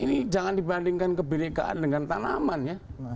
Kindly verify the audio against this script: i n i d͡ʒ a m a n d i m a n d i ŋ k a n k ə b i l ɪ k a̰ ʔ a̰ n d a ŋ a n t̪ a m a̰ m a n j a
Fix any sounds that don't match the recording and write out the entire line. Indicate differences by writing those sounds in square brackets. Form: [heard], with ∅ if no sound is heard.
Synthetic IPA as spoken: i n i d͡ʒ a [ŋ] a n d i [b] a n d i ŋ k a n k ə b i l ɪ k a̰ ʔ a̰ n d [ə] ŋ a n t̪ a [n] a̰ m a n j a